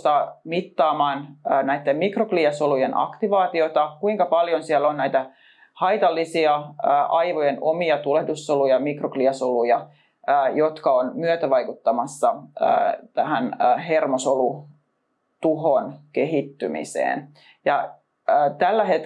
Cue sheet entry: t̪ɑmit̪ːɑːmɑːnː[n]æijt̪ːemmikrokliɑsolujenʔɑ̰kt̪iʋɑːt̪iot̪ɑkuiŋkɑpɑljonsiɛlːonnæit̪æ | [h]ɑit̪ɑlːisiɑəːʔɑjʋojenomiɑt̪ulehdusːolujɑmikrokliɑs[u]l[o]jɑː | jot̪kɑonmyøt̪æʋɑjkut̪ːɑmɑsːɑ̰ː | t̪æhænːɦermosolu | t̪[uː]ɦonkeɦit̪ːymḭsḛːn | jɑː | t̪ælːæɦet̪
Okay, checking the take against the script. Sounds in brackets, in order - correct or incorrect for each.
correct, correct, incorrect, incorrect, incorrect

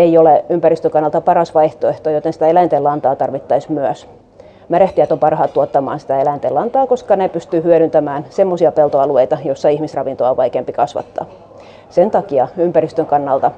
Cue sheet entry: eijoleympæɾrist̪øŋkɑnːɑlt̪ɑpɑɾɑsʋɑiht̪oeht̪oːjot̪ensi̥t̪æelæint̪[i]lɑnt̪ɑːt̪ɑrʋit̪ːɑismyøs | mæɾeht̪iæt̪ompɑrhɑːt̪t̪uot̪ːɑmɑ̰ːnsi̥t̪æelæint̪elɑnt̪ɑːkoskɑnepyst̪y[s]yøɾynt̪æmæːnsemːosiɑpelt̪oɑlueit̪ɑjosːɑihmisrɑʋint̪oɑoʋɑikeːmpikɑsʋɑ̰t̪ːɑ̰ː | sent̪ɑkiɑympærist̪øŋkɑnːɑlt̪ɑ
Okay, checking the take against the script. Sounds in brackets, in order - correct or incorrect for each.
incorrect, incorrect

